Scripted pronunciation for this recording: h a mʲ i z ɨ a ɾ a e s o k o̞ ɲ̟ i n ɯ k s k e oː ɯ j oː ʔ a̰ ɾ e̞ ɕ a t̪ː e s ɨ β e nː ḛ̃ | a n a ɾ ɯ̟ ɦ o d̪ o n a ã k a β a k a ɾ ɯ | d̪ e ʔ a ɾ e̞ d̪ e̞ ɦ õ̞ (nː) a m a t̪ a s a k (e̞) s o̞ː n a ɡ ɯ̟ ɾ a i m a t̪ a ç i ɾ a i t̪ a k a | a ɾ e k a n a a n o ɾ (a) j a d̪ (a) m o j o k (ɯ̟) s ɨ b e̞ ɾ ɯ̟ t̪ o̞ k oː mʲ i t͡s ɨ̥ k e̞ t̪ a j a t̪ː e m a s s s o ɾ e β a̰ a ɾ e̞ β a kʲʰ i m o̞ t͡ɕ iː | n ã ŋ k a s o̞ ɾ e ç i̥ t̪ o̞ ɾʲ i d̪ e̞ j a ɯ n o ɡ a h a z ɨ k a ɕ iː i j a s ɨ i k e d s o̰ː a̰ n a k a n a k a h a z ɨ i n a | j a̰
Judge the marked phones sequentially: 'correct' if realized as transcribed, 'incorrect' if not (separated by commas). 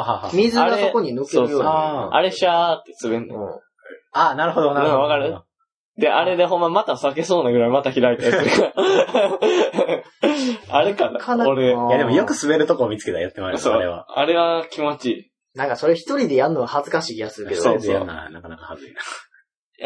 incorrect, correct, incorrect, incorrect, correct